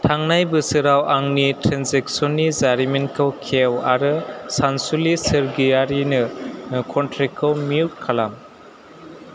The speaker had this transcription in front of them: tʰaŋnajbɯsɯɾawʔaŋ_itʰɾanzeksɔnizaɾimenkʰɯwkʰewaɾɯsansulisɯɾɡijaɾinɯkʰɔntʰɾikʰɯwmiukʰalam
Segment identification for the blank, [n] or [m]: n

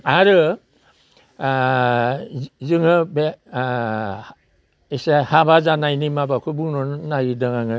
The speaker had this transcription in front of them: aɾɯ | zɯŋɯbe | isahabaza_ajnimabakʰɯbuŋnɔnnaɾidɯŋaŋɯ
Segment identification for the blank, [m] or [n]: n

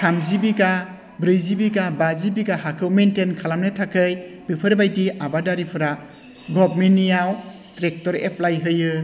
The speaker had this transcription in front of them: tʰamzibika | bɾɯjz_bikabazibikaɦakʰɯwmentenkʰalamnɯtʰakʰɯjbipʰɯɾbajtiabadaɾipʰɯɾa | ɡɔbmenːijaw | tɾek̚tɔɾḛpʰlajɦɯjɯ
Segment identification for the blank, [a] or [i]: i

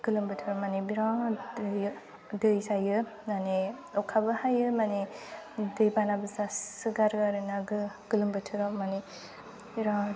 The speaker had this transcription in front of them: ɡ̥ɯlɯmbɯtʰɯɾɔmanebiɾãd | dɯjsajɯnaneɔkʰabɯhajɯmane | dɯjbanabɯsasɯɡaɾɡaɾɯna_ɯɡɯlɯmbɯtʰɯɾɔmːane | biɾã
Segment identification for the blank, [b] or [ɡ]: ɡ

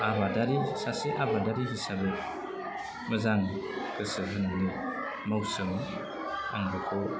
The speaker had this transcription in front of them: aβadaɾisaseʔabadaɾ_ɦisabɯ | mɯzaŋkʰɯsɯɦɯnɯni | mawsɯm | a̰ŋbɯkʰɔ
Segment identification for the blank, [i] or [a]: i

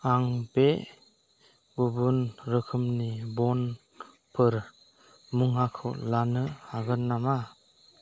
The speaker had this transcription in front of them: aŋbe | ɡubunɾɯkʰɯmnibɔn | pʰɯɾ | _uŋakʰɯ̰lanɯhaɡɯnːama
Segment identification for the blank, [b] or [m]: m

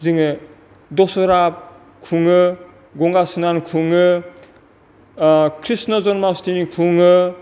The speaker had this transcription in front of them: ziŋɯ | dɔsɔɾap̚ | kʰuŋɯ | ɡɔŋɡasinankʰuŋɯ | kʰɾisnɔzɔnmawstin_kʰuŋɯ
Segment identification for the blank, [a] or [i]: i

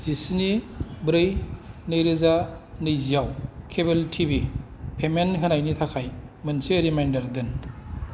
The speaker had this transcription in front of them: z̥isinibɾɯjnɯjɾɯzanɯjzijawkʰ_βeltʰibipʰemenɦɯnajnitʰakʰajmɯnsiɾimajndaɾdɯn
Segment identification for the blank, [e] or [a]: e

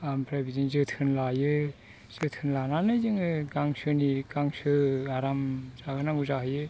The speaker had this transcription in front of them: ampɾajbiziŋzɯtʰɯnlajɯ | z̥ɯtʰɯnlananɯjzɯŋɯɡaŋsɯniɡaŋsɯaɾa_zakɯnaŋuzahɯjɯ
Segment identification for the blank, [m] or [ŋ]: m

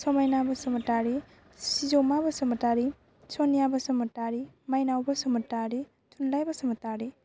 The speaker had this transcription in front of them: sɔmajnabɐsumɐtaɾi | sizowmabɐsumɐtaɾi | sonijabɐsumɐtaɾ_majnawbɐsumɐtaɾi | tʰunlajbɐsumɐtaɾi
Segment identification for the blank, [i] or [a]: i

